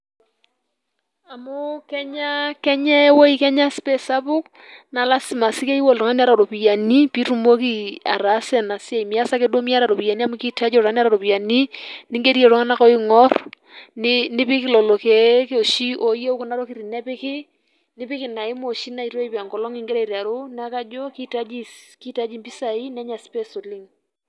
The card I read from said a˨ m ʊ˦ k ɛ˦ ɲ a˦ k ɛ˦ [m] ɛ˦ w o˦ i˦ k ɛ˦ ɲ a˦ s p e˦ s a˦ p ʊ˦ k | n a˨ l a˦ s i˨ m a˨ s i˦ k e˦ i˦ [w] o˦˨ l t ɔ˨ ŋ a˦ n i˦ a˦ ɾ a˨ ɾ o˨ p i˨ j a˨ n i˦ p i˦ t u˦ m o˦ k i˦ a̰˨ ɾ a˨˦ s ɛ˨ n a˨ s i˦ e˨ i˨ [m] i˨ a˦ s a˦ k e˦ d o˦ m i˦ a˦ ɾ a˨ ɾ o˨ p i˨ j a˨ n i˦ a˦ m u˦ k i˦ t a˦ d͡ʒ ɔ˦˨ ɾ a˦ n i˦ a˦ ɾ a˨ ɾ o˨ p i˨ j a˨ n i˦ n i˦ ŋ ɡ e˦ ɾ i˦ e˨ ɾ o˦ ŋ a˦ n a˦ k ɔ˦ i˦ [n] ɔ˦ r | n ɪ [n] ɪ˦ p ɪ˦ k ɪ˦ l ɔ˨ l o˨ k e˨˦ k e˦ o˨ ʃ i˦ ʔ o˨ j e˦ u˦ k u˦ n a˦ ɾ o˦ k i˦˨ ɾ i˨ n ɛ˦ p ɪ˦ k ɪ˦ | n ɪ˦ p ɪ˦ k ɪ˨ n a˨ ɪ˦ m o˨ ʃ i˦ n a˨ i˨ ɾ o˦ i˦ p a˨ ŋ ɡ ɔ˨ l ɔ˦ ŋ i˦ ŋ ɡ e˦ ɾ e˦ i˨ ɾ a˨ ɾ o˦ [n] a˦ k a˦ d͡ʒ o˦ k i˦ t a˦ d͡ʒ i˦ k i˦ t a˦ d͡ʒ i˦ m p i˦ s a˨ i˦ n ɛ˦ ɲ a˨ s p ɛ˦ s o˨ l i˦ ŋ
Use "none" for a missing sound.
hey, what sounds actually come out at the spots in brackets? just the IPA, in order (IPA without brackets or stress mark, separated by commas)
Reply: ɲ, w, m, ŋ, n, n